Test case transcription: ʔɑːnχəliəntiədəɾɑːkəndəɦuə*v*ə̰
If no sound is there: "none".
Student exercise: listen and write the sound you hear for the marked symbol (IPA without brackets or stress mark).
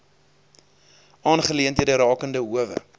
v